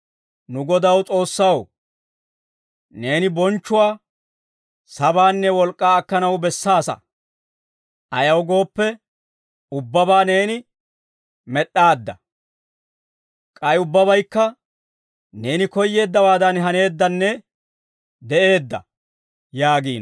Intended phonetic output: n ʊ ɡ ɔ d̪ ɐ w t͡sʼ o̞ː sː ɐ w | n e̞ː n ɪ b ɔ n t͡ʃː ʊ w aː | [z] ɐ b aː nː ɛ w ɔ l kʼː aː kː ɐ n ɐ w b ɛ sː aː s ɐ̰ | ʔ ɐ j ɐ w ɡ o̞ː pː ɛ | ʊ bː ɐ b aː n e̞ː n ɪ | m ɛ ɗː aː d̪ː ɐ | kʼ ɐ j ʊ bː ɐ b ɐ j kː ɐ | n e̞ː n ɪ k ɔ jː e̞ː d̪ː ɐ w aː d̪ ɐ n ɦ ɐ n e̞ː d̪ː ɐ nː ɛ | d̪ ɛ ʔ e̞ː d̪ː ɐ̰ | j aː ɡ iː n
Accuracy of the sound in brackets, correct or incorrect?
incorrect